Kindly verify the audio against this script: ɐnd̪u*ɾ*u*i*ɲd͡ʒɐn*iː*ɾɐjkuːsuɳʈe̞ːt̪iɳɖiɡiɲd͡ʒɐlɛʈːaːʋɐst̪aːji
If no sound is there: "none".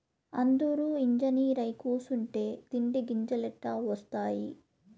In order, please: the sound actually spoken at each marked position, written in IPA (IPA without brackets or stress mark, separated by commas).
ɾ, i, iː